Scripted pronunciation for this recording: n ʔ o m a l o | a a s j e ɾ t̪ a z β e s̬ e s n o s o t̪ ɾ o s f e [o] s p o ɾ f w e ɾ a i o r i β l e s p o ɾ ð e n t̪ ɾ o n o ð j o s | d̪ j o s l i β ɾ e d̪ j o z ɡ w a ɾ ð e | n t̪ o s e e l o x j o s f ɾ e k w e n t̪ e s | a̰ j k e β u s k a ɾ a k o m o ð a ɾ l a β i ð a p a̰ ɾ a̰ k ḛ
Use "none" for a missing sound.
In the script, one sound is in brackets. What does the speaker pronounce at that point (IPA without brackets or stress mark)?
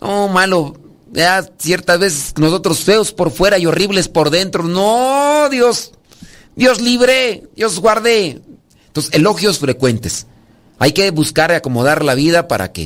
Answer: o